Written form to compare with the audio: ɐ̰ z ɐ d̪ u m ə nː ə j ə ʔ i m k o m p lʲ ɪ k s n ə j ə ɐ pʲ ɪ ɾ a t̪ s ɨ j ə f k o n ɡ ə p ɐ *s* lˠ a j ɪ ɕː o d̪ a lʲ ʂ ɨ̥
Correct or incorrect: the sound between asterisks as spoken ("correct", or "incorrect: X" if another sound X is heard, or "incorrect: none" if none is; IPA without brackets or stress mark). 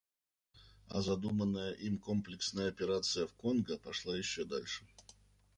incorrect: ʂ